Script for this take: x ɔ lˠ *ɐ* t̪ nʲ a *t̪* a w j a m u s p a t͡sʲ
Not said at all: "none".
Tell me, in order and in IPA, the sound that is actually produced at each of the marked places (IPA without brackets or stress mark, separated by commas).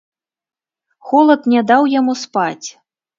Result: ɐ, d̪